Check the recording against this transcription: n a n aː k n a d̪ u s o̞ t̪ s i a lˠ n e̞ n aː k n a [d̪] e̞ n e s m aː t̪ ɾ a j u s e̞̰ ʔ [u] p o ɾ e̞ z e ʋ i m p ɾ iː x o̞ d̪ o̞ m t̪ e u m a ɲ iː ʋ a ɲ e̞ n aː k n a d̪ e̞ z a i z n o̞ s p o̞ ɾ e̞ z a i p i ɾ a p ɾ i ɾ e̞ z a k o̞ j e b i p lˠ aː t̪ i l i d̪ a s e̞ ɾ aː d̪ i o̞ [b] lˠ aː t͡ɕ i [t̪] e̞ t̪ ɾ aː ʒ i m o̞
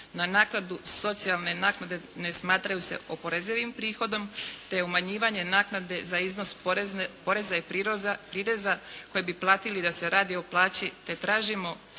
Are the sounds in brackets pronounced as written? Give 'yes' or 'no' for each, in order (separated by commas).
yes, no, no, yes